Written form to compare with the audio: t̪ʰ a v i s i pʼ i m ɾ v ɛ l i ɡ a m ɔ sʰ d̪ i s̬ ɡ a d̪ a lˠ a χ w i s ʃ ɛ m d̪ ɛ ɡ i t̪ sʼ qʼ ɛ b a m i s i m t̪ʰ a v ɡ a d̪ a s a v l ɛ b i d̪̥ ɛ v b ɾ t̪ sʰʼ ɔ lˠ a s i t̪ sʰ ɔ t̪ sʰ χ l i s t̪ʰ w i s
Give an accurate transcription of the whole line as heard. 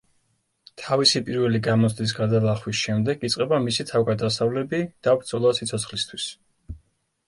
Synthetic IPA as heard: t̪ʰ a v i s i pʼ i ɾ v ɛ l i ɡ a m ɔ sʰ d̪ i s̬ ɡ a d̪ a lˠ a χ w i s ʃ ɛ m d̪ ɛ ɡ i t̪ sʼ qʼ ɛ b a m i s i t̪ʰ a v ɡ a d̪ a s a v l ɛ b i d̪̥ a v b ɾ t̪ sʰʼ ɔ lˠ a s i t̪ sʰ ɔ t̪ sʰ χ l i s t̪ʰ w i s